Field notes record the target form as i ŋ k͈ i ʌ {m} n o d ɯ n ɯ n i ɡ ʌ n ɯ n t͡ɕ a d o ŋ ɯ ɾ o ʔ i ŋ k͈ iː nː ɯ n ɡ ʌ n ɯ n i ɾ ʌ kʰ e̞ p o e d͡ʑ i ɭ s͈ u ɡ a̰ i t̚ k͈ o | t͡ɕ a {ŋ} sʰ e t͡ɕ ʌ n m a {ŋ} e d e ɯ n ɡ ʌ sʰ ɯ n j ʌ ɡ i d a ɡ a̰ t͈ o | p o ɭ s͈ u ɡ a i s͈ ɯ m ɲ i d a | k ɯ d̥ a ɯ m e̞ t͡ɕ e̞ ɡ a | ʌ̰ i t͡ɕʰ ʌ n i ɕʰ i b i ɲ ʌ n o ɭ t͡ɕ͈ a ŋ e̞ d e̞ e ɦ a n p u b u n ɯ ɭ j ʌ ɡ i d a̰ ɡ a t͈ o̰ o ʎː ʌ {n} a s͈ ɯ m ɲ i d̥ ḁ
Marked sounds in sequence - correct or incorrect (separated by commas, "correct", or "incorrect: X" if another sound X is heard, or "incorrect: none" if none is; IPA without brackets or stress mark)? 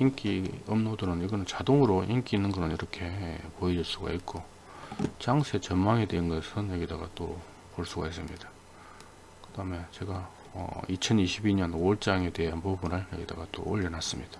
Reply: correct, correct, correct, correct